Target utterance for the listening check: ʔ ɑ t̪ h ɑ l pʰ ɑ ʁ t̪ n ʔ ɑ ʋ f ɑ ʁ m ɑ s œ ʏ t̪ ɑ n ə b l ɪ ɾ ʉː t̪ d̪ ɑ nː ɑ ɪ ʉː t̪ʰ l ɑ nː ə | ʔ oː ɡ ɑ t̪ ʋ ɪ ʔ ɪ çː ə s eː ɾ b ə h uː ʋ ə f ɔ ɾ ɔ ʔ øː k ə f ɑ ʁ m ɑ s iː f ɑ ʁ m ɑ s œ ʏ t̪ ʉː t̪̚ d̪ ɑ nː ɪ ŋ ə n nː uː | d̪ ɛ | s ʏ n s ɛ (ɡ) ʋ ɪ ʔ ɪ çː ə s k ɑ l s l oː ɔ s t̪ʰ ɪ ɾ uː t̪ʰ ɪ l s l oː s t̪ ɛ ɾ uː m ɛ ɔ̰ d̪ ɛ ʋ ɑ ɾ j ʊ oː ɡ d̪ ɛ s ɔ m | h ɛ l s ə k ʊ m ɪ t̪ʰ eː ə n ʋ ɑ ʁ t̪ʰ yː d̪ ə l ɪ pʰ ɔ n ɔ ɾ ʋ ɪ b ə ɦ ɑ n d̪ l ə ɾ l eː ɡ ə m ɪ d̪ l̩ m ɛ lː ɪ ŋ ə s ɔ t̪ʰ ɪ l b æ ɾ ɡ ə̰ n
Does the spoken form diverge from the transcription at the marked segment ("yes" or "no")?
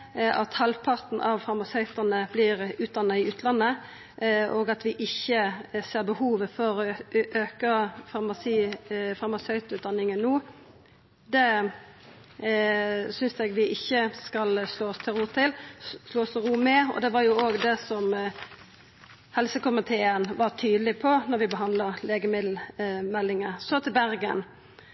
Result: no